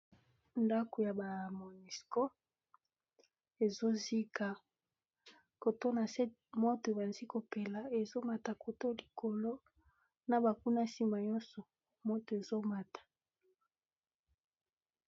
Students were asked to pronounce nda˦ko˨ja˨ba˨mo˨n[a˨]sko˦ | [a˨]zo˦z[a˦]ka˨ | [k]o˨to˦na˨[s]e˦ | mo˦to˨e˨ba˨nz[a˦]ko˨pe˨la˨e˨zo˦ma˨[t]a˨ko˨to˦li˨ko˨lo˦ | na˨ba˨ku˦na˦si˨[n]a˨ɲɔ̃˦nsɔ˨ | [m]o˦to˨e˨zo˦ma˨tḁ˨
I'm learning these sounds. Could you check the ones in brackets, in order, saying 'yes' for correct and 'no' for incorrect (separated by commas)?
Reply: no, no, no, yes, yes, no, yes, no, yes